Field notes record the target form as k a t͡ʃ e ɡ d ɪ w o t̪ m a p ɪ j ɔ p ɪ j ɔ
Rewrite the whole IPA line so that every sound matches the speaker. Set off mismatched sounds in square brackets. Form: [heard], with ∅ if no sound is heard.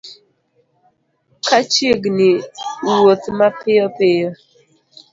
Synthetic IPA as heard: k a t͡ʃ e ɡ [n] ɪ w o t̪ m a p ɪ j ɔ p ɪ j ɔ